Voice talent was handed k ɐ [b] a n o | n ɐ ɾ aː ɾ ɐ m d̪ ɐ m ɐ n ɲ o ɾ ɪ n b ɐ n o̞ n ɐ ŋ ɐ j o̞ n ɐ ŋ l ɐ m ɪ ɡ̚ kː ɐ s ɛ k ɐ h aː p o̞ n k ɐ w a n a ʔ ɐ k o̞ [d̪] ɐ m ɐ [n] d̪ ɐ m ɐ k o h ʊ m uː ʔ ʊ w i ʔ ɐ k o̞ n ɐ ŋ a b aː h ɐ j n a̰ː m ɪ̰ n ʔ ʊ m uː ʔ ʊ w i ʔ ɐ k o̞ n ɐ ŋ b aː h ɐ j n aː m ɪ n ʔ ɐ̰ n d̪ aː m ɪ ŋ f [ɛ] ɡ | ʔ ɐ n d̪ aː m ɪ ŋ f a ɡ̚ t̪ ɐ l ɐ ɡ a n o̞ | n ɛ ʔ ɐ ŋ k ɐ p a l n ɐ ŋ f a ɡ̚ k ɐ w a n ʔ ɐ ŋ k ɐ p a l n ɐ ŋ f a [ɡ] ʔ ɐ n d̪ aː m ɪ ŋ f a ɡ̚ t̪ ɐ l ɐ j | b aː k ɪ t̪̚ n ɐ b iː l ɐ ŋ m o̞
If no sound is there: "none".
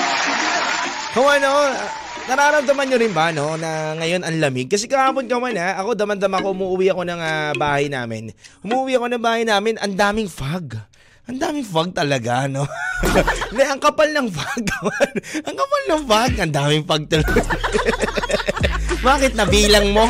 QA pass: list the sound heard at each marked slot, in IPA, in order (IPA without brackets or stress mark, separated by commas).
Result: w, d̪, n, a, ɡ